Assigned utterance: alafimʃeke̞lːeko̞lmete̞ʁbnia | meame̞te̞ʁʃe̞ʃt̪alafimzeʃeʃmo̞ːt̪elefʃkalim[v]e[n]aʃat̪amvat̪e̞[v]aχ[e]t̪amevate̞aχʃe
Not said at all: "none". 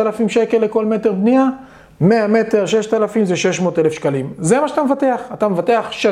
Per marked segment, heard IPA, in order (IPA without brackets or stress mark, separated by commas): z, m, none, a